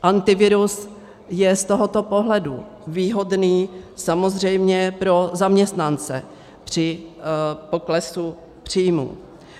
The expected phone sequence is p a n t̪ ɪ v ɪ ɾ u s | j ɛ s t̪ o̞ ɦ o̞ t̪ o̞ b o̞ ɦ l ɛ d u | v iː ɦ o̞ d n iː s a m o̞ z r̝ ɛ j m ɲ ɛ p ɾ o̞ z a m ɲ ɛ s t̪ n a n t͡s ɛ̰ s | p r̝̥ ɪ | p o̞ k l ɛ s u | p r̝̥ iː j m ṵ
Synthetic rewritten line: ʔ a n t̪ ɪ v ɪ ɾ u s | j ɛ s t̪ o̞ ɦ o̞ t̪ o̞ p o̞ ɦ l ɛ d u | v iː ɦ o̞ d n iː s a m o̞ z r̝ ɛ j m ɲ ɛ p ɾ o̞ z a m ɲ ɛ s t̪ n a n t͡s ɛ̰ | p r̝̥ ɪ | p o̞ k l ɛ s u | p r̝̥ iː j m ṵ

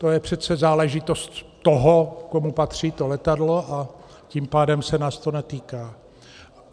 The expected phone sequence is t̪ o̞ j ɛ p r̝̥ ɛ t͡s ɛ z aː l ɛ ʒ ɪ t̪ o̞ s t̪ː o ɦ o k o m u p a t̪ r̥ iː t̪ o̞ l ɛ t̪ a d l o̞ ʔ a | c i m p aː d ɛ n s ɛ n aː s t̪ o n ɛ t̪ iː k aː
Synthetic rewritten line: t̪ o̞ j ɛ p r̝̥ ɛ t͡s ɛ z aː l ɛ ʒ ɪ t̪ o̞ s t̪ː o ɦ o k o m u p a t̪ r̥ iː t̪ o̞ l ɛ t̪ a d l o̞ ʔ a | c i m p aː d ɛ m s ɛ n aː s t̪ o n ɛ t̪ iː k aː

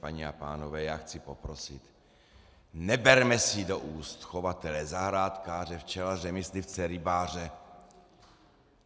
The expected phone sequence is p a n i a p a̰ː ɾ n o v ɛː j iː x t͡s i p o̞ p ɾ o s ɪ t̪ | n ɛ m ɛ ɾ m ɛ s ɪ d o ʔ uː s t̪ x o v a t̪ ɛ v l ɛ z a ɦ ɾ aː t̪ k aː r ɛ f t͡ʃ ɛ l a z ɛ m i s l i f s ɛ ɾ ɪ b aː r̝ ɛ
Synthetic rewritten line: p a ɲ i a p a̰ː n o v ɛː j aː x t͡s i p o̞ p ɾ o s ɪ t̪ | n ɛ b ɛ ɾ m ɛ s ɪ d o ʔ uː s t̪ x o v a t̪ ɛ l ɛ z a ɦ ɾ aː t̪ k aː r ɛ f t͡ʃ ɛ l a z ɛ m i s l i f t͡s ɛ ɾ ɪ b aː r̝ ɛ

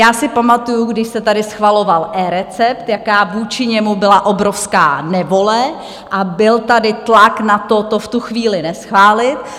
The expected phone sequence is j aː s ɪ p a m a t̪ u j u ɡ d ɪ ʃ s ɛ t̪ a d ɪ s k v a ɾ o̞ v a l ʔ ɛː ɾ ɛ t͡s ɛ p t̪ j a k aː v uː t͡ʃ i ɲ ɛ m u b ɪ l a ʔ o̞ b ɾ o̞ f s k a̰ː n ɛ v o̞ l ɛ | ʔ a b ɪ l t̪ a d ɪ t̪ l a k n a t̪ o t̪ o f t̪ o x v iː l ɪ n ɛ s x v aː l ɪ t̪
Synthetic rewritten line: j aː s ɪ p a m a t̪ u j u ɡ d ɪ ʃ s ɛ t̪ a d ɪ s x v a l o̞ v a l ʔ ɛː ɾ ɛ t͡s ɛ p t̪ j a k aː v uː t͡ʃ ɪ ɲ ɛ m u b ɪ l a ʔ o̞ b ɾ o̞ f s k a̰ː n ɛ v o̞ l ɛ | ʔ a b ɪ l t̪ a d ɪ t̪ l a k n a t̪ o t̪ o f t̪ u x v iː l ɪ n ɛ s x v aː l ɪ t̪

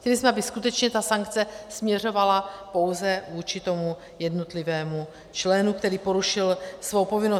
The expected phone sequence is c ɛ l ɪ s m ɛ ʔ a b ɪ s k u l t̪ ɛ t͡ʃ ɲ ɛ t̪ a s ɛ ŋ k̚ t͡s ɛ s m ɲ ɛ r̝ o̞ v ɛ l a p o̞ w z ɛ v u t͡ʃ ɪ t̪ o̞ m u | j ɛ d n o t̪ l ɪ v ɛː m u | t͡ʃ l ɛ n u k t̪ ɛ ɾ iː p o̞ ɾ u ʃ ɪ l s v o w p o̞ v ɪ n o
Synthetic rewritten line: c ɛ l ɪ s m ɛ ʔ a b ɪ s k u t̪ ɛ t͡ʃ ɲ ɛ t̪ a s a ŋ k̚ t͡s ɛ s m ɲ ɛ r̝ o̞ v a l a p o̞ w z ɛ v uː t͡ʃ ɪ t̪ o̞ m u | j ɛ d n o t̪ l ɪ v ɛː m u | t͡ʃ l ɛ n u k t̪ ɛ ɾ iː p o̞ ɾ u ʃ ɪ l s v o w p o̞ v ɪ n o

